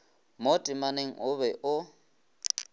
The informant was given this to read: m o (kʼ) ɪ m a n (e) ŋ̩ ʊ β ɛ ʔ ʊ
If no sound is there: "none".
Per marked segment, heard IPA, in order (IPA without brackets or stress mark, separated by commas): tʼ, e